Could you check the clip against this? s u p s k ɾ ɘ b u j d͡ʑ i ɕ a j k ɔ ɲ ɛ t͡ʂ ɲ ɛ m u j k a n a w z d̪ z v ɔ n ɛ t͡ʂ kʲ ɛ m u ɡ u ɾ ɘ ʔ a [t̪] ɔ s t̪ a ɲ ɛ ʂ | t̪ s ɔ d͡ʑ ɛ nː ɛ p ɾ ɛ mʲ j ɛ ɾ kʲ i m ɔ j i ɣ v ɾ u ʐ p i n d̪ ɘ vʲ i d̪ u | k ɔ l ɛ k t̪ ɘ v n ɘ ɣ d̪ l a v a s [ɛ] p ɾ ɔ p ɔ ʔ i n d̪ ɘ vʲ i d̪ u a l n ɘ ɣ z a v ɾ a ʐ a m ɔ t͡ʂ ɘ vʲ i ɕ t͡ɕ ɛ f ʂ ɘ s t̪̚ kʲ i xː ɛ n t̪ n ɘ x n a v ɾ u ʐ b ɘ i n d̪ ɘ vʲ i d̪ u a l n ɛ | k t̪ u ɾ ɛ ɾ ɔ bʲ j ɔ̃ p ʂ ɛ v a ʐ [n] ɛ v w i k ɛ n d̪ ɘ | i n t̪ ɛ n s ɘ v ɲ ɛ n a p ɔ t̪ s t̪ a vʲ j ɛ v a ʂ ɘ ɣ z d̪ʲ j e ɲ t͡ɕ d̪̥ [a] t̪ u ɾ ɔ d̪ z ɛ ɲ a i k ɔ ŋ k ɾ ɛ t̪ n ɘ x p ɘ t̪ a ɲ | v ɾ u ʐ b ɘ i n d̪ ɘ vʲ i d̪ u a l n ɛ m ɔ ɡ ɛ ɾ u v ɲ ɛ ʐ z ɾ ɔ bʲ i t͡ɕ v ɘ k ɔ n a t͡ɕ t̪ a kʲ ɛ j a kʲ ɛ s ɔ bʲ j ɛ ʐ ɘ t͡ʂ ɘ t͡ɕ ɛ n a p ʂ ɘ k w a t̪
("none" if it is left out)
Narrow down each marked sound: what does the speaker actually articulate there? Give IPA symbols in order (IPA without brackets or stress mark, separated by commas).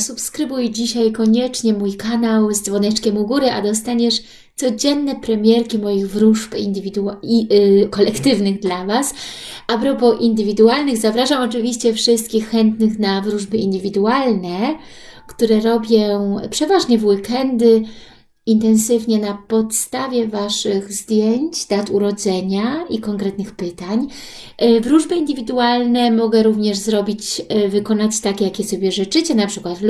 d̪, a, ɲ, a